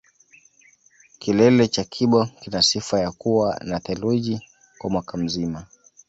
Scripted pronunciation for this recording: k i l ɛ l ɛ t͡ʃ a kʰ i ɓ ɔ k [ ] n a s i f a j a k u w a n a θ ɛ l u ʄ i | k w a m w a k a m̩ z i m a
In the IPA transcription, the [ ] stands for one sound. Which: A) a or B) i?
B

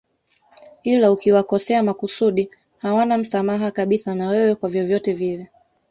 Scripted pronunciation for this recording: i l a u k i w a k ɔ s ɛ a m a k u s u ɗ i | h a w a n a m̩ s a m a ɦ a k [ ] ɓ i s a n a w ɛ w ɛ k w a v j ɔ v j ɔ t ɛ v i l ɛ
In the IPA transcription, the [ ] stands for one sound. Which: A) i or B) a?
B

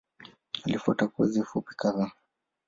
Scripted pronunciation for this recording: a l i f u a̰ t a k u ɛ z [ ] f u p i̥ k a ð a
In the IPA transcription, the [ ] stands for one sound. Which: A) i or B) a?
A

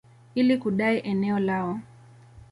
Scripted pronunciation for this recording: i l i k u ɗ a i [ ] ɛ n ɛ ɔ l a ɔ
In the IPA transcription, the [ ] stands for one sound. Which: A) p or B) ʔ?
B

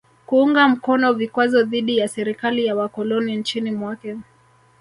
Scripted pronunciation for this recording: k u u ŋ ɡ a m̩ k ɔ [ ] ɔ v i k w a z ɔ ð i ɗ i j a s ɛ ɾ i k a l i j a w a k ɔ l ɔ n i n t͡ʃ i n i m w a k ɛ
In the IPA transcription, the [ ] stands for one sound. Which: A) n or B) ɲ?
A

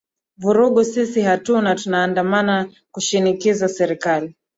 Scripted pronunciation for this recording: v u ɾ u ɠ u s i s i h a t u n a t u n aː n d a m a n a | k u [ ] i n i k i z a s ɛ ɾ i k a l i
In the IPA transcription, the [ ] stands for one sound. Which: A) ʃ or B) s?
A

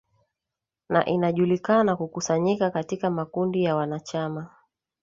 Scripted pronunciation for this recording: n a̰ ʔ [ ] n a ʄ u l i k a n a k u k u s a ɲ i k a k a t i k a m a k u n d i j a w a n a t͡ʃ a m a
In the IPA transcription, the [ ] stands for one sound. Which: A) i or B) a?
A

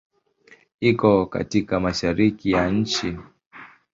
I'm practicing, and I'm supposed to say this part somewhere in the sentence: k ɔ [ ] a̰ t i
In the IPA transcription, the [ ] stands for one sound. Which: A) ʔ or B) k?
B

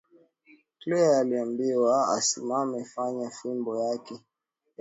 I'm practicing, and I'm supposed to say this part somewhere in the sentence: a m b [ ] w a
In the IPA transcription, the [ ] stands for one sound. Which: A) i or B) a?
A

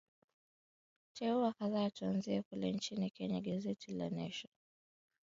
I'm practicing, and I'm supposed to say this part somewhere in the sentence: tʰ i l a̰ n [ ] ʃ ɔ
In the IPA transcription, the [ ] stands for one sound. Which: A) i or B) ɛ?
B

